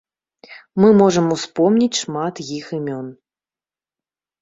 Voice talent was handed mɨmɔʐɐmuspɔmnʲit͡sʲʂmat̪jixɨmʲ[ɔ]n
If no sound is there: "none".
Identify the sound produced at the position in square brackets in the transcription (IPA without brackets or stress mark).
ɔ